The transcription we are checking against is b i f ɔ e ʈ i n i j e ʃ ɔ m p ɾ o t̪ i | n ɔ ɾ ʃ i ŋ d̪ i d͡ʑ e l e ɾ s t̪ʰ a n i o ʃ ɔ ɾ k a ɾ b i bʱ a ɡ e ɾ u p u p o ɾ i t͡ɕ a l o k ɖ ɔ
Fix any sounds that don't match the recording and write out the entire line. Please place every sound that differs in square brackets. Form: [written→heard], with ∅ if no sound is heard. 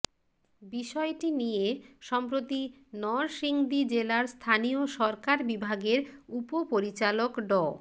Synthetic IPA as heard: b i [f→ʃ] ɔ e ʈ i n i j e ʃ ɔ m p ɾ o t̪ i | n ɔ ɾ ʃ i ŋ d̪ i d͡ʑ e l [e→a] ɾ s t̪ʰ a n i o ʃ ɔ ɾ k a ɾ b i bʱ a ɡ e ɾ u p [u→o] p o ɾ i t͡ɕ a l o k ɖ ɔ